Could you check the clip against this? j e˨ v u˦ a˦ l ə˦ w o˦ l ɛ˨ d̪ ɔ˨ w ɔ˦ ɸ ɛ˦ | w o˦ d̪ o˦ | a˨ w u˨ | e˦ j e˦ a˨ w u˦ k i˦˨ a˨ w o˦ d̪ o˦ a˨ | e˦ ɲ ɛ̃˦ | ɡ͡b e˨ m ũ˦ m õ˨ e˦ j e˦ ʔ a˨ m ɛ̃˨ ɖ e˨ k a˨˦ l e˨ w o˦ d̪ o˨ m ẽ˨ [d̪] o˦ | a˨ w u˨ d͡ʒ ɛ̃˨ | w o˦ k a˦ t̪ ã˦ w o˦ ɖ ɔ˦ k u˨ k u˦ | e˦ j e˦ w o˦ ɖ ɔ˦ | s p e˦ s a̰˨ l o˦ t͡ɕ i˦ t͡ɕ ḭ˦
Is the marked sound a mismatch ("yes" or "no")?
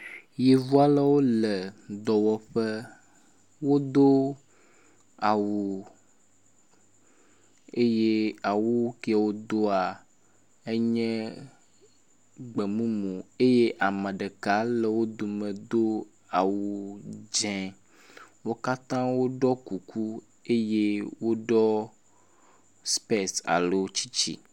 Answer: no